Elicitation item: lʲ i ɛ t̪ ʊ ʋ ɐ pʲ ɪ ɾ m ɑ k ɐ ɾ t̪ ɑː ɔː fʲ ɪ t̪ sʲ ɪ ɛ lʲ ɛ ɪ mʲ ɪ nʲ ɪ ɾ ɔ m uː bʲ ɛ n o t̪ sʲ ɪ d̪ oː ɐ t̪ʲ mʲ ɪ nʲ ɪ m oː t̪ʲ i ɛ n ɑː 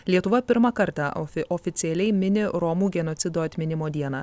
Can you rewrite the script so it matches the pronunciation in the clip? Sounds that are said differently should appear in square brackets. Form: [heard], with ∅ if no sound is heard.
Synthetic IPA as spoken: lʲ i ɛ t̪ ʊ ʋ ɐ pʲ ɪ ɾ m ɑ k ɐ ɾ t̪ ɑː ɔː fʲ ɪ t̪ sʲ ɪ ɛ lʲ ɛ ɪ mʲ ɪ nʲ ɪ ɾ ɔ m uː [ɡʲ] ɛ n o t̪ sʲ ɪ d̪ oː ɐ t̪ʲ mʲ ɪ nʲ ɪ m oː [d̪ʲ] i ɛ n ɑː